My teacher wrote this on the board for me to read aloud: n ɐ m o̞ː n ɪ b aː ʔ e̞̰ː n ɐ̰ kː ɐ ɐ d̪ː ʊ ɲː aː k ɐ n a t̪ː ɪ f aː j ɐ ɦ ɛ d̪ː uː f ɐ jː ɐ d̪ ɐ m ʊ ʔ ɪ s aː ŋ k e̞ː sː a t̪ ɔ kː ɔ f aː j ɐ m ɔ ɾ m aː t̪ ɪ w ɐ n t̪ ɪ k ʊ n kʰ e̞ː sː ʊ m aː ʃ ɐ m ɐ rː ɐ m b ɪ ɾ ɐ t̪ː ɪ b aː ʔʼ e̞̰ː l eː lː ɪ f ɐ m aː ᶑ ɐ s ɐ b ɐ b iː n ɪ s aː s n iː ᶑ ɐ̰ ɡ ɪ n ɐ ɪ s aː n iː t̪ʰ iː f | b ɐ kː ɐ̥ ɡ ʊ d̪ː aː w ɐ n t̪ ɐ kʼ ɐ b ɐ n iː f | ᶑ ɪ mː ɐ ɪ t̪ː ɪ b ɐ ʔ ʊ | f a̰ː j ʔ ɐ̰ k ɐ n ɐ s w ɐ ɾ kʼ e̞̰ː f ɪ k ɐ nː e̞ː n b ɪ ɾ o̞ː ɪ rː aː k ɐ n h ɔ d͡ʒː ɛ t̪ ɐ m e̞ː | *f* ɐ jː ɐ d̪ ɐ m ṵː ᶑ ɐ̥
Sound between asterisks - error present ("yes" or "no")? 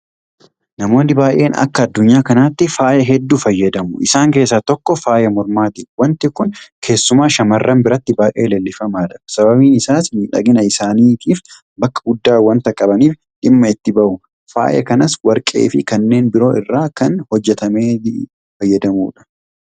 no